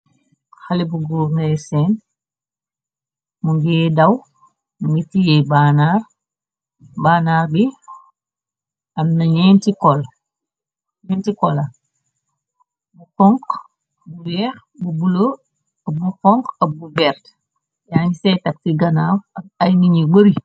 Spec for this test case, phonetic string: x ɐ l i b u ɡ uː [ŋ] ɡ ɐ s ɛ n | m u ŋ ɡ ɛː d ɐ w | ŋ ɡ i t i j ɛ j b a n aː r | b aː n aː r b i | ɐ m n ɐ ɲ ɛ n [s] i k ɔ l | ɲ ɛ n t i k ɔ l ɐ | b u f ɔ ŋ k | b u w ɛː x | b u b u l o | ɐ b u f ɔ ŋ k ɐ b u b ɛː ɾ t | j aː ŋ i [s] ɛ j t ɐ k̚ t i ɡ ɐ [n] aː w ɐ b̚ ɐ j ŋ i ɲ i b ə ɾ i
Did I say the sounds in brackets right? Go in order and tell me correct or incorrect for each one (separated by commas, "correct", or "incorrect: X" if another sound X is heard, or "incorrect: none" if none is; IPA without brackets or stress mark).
correct, incorrect: t, correct, correct